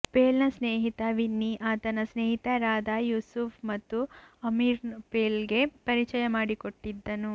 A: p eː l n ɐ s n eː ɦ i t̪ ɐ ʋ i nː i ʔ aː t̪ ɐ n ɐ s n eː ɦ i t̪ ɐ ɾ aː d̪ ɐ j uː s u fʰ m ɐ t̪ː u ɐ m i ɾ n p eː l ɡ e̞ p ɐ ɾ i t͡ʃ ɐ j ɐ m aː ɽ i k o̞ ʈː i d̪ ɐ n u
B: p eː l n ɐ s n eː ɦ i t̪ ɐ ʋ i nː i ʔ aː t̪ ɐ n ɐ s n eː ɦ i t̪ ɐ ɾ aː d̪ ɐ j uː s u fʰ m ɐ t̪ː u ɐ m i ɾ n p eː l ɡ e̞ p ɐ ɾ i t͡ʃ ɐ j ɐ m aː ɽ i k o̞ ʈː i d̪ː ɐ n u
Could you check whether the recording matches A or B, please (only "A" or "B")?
B